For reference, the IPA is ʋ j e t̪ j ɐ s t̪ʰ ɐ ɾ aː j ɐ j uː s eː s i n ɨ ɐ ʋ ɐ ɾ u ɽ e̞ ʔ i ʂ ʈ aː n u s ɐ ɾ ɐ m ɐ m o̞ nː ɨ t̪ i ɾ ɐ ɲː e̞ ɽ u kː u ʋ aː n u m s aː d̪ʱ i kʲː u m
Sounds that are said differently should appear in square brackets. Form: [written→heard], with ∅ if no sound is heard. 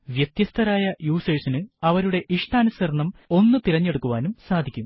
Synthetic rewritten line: ʋ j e t̪ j ɐ s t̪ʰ ɐ ɾ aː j ɐ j uː s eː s i n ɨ ɐ ʋ ɐ ɾ u ɽ e̞ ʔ i ʂ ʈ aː n u s ɐ ɾ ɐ [m→ɳ] ɐ m o̞ nː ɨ t̪ i ɾ ɐ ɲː e̞ ɽ u kː u ʋ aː n u m s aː d̪ʱ i kʲː u m